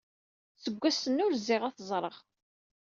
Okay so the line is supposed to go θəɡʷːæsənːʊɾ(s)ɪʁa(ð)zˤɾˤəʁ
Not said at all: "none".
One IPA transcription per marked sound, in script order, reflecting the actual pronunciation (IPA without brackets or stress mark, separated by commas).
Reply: z, θ